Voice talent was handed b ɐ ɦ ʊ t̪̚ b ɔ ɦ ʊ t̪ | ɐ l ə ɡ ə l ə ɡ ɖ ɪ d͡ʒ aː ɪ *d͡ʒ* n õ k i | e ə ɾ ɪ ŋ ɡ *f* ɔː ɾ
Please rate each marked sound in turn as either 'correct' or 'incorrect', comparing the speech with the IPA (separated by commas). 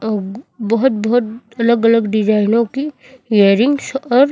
incorrect, incorrect